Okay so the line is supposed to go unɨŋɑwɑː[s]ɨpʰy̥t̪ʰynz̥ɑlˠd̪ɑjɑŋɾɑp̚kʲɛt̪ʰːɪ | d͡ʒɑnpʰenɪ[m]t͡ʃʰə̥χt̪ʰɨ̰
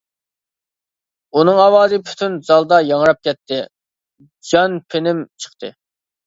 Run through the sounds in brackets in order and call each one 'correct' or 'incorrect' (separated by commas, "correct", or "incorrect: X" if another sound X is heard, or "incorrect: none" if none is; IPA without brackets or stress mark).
incorrect: z, correct